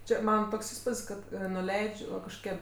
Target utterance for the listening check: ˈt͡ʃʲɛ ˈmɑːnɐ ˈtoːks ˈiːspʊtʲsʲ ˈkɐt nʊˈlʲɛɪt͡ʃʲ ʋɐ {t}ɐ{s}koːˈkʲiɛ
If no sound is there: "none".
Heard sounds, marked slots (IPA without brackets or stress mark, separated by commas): k, ʃ